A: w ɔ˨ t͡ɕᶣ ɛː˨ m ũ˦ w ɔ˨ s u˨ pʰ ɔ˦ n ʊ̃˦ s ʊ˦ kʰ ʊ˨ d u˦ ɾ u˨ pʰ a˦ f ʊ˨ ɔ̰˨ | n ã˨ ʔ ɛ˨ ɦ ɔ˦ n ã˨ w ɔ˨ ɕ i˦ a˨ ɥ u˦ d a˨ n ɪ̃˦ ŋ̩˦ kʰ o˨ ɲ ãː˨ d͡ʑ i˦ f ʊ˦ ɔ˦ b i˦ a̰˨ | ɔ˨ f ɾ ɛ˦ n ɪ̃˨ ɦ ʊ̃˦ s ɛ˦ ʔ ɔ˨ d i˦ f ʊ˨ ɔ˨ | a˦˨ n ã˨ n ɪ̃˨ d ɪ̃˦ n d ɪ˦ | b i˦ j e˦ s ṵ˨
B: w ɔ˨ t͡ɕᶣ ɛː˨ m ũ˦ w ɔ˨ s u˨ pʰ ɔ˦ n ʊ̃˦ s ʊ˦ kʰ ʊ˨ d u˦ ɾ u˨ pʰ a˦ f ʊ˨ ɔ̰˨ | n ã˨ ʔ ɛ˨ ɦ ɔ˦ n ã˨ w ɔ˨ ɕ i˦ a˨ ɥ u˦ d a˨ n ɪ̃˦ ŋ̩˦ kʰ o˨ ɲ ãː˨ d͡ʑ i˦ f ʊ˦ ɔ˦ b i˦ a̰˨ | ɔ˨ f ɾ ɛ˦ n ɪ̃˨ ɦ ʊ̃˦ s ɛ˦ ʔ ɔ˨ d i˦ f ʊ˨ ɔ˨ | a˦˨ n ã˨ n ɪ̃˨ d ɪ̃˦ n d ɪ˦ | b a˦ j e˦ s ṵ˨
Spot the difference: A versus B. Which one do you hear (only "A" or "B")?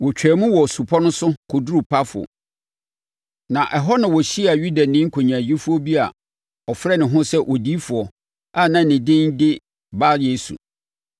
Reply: B